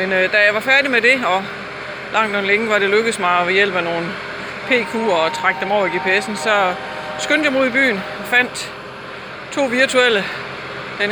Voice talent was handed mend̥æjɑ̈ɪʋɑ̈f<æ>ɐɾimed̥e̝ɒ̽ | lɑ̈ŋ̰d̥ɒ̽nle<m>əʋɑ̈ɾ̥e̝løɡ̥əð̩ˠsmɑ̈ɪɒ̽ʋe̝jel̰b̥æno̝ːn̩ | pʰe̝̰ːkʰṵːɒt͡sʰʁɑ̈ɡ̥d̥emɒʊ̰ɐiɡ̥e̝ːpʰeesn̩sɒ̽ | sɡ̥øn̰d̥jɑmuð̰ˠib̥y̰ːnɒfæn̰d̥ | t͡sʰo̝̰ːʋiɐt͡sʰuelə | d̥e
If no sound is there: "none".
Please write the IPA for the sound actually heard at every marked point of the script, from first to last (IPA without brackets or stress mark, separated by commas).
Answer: æ, ŋ